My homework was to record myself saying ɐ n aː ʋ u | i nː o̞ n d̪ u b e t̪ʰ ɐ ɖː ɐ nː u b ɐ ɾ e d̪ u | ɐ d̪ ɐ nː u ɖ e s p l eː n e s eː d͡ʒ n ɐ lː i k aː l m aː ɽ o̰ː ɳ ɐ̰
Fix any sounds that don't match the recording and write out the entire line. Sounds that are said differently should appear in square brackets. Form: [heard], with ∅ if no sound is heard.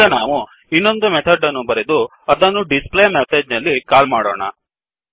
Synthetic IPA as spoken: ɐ n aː ʋ u | i nː o̞ n d̪ u [m] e t̪ʰ ɐ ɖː ɐ nː u b ɐ ɾ e d̪ u | ɐ d̪ ɐ nː u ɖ [i] s p l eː [m] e s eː d͡ʒ n ɐ lː i k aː l m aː ɽ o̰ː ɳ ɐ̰